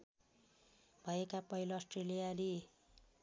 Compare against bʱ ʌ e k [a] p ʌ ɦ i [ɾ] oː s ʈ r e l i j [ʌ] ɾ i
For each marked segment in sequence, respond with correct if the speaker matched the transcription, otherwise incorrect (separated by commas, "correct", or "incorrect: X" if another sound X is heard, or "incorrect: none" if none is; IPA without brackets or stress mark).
correct, incorrect: l, incorrect: a